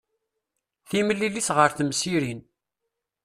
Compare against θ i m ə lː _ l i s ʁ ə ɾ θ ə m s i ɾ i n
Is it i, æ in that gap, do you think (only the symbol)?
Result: i